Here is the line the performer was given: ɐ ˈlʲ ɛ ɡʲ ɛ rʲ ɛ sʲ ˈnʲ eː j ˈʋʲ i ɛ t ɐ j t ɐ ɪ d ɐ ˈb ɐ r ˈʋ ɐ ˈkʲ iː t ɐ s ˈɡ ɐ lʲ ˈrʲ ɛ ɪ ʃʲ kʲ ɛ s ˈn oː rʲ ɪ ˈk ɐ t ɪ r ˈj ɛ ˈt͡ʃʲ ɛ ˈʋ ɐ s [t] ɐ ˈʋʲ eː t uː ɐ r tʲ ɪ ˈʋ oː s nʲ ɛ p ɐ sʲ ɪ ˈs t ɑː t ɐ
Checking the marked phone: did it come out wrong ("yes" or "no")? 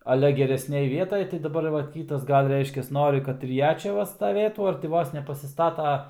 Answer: no